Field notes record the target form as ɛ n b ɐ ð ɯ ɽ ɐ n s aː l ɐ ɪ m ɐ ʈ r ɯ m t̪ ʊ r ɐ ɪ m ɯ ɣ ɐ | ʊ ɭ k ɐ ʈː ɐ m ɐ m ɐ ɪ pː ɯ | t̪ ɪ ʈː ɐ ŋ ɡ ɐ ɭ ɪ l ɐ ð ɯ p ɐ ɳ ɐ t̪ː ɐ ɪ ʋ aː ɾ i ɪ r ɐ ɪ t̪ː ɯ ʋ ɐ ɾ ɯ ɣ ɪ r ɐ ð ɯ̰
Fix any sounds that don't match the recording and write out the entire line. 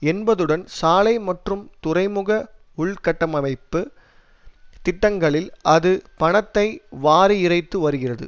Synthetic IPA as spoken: ɛ n b ɐ ð ɯ ɽ ɐ n s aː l ɐ ɪ m ɐ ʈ r ɯ m t̪ ʊ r ɐ ɪ m ɯ ɣ ɐ | ʊ ɭ k ɐ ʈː ɐ m ɐ m ɐ ɪ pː ɯ | t̪ ɪ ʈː ɐ ŋ ɡ ɐ ɭ ɪ l ɐ ð ɯ p ɐ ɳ ɐ t̪ː ɐ ɪ ʋ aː ɾ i ɪ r ɐ ɪ t̪ː ɯ ʋ ɐ ɾ ɯ ɣ ɪ r ɐ ð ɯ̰